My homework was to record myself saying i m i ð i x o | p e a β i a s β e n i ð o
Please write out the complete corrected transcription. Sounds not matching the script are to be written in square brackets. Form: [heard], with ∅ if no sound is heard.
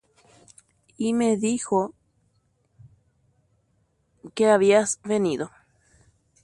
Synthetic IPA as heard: i m [e] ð i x o | [k] e a β i a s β e n i ð o